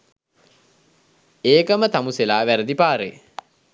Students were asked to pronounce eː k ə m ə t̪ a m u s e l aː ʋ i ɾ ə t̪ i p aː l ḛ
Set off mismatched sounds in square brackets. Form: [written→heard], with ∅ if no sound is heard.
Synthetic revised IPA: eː k ə m ə t̪ a m u s e l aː ʋ [i→æ] ɾ ə [t̪→d̪] i p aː [l→ɾ] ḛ